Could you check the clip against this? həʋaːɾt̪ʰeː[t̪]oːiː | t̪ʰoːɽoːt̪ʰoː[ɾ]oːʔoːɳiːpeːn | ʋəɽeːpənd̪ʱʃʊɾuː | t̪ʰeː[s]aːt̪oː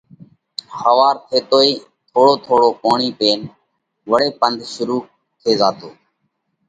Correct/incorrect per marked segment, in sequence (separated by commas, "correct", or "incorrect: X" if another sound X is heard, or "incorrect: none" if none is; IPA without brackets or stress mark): correct, incorrect: ɽ, incorrect: z